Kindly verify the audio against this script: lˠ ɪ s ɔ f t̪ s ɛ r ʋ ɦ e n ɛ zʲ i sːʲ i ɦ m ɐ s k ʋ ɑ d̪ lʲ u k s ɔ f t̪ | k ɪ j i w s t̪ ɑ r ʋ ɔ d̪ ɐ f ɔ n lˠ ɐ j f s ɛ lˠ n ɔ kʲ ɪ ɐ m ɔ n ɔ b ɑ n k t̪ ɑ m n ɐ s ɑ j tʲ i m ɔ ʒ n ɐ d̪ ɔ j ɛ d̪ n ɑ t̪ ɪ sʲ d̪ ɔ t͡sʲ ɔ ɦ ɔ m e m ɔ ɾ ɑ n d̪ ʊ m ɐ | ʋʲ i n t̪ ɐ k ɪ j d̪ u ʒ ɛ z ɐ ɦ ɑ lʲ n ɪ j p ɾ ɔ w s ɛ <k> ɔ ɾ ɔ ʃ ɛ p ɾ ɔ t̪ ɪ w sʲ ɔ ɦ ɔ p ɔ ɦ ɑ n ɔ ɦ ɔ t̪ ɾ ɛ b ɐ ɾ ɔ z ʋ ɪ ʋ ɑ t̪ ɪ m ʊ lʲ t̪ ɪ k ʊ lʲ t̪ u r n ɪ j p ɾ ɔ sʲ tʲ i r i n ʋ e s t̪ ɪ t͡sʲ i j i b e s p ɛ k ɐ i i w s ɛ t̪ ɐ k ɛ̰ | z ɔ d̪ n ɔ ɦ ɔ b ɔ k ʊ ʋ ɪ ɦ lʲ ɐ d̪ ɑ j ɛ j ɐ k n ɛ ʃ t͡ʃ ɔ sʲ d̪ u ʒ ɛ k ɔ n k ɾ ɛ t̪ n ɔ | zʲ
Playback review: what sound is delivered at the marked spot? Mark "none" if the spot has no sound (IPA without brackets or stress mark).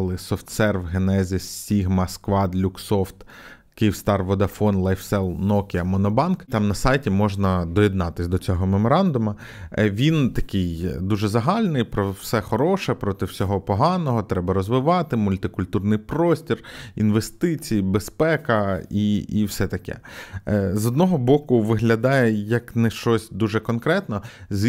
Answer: x